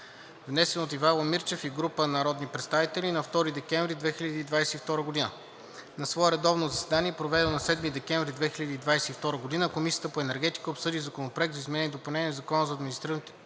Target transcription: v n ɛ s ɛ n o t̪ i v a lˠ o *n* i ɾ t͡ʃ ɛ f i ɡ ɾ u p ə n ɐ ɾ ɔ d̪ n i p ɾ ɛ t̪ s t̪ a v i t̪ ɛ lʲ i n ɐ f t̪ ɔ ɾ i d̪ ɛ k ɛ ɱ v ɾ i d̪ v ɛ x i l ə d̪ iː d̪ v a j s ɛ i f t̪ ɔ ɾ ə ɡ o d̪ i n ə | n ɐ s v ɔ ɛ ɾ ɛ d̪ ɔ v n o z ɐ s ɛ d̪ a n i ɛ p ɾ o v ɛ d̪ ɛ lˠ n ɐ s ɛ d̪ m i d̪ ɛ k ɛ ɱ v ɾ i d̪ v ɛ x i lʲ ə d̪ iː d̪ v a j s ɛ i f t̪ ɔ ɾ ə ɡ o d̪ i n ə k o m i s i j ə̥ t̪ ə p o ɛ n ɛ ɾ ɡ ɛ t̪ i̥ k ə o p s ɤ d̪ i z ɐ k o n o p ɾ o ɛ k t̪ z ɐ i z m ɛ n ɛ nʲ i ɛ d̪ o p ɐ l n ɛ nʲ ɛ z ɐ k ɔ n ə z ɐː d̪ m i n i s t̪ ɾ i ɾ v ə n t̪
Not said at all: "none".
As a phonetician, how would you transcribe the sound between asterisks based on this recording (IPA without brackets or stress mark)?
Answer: m